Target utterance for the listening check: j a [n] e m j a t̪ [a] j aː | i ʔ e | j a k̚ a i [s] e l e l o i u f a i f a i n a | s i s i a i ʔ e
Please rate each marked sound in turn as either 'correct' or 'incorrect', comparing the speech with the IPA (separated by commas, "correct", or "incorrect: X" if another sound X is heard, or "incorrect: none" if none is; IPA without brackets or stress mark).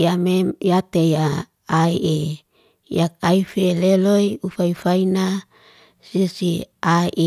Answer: incorrect: m, incorrect: e, incorrect: f